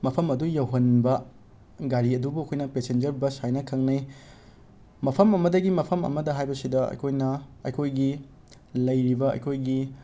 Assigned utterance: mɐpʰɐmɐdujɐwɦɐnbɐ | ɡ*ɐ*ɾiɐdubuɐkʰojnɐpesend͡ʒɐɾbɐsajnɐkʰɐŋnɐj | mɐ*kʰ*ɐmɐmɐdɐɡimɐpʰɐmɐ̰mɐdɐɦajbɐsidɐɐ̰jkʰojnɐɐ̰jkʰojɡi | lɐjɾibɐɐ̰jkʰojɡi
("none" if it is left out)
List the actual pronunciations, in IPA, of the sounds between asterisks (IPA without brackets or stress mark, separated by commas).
a, pʰ